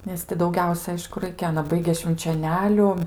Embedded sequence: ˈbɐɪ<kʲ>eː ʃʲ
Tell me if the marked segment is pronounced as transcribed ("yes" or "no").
no